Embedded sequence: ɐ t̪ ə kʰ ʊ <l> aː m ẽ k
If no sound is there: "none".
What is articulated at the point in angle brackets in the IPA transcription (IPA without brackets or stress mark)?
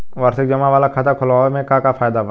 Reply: l